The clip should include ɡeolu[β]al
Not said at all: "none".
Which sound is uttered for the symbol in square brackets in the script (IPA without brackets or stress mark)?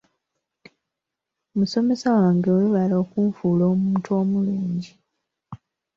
β